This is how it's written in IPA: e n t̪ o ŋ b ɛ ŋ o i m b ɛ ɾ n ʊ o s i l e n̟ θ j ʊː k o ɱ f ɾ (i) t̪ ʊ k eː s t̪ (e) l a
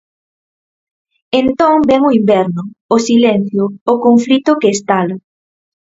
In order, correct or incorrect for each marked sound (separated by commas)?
correct, incorrect